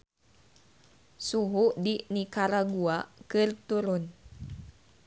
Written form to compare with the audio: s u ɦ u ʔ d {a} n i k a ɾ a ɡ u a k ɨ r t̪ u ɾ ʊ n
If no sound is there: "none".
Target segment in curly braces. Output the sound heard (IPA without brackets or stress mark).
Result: i